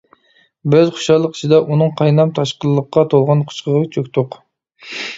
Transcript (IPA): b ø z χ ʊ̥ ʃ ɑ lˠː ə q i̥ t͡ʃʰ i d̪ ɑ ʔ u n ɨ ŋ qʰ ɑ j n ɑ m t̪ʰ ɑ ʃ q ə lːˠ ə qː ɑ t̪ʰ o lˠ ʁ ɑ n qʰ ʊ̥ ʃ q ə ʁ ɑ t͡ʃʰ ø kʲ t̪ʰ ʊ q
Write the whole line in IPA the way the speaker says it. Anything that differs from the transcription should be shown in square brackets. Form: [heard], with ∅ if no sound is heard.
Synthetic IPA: b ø z χ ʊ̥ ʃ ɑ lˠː ə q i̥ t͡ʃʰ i d̪ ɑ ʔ u n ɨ ŋ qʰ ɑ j n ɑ m t̪ʰ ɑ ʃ q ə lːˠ ə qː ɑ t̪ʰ o lˠ ʁ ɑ n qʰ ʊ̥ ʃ q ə ʁ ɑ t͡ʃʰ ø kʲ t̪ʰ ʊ q